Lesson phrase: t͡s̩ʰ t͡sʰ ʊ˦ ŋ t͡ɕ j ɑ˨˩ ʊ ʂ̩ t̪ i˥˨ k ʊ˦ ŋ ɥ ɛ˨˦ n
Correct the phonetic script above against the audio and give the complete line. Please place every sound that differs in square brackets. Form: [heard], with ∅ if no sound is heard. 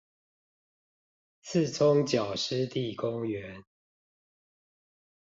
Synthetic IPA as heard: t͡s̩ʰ t͡sʰ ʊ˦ ŋ t͡ɕ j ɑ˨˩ ʊ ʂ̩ t̪ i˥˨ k ʊ˦ ŋ ɥ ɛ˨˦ n